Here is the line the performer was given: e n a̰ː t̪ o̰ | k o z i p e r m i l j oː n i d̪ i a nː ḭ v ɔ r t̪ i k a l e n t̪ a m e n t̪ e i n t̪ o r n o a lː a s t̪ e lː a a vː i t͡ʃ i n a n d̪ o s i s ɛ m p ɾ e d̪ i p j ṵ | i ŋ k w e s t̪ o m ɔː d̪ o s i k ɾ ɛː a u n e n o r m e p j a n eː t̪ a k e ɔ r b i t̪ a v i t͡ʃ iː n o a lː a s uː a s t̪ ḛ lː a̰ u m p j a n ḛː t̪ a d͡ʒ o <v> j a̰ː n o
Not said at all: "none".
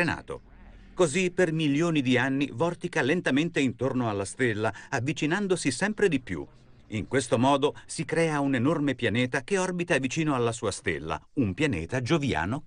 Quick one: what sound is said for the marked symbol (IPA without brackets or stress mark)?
v